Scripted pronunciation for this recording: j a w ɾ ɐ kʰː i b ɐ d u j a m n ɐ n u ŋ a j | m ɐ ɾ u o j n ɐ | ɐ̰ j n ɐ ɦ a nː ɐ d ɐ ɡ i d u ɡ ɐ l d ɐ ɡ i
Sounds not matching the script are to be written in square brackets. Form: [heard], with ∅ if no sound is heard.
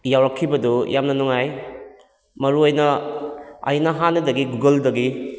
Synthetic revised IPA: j a w ɾ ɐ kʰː i b ɐ d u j a m n ɐ n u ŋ a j | m ɐ ɾ u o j n ɐ | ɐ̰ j n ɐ ɦ a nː ɐ d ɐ ɡ i [ɡ] u ɡ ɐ l d ɐ ɡ i